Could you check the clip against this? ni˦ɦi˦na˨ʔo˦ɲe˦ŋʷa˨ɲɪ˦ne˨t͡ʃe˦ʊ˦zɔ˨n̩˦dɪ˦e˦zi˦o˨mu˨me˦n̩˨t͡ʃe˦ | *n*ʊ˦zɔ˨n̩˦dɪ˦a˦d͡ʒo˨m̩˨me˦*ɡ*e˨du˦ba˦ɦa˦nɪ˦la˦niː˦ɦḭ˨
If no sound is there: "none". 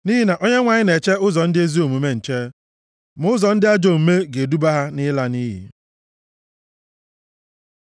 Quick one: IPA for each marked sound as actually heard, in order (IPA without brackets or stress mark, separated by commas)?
m, ɡ